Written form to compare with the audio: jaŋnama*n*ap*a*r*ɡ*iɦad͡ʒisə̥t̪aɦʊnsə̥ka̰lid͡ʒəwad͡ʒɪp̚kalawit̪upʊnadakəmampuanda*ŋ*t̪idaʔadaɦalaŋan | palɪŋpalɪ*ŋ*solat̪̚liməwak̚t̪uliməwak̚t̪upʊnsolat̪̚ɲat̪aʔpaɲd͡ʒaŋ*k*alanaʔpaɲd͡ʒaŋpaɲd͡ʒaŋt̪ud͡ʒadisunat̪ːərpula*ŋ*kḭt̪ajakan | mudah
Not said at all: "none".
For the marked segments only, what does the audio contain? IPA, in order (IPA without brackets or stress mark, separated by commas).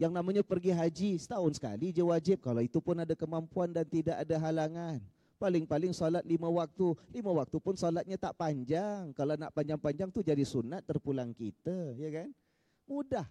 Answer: ɲ, ə, ɡ, n, ŋ, k, ŋ